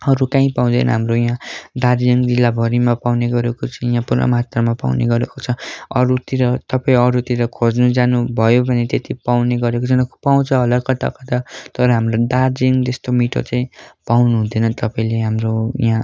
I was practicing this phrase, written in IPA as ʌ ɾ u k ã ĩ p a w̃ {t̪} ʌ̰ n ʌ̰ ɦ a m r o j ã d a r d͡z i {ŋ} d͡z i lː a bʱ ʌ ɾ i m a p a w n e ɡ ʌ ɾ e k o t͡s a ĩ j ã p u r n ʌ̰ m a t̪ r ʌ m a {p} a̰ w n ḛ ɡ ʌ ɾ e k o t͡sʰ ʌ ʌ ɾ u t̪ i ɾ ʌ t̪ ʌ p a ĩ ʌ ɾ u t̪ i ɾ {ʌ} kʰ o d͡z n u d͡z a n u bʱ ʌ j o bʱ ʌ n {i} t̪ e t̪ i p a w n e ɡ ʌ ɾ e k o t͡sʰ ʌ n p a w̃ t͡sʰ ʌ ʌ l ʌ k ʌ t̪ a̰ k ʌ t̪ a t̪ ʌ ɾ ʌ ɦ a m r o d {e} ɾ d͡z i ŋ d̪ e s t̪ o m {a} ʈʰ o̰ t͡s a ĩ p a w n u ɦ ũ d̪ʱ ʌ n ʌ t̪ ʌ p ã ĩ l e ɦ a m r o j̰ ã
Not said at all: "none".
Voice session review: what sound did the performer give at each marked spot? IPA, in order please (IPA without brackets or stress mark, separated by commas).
d̪, ŋ, p, ʌ, e, a, i